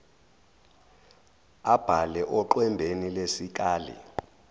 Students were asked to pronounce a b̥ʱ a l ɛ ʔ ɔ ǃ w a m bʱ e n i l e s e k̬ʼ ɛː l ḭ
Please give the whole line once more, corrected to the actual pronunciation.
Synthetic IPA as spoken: a b̥ʱ a l ɛ ʔ ɔ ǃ w ɛ m bʱ e n i l e s i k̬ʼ aː l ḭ